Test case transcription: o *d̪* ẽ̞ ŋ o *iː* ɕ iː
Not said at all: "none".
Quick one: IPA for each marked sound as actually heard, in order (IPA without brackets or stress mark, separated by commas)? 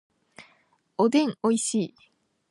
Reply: d̪, i